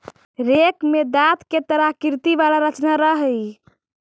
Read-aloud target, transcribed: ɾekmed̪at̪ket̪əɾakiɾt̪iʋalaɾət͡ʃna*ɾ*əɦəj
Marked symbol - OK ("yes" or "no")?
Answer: yes